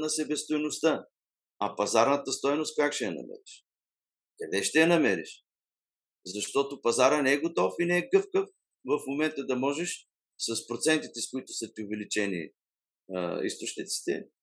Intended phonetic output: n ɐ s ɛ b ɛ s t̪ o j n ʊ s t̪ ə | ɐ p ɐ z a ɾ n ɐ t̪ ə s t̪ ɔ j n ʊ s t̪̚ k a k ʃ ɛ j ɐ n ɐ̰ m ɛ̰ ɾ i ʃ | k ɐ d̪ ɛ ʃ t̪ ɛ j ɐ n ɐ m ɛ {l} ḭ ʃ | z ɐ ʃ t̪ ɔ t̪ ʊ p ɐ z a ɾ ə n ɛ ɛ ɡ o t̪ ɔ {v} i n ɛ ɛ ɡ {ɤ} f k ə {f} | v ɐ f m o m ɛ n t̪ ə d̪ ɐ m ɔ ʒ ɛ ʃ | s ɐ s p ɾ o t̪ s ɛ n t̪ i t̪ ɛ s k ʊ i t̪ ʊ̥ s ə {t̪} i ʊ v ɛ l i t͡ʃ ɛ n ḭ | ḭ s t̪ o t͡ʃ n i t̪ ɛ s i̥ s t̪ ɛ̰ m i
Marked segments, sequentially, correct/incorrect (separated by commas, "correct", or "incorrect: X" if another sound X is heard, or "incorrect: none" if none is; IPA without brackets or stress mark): incorrect: ɾ, incorrect: f, correct, correct, correct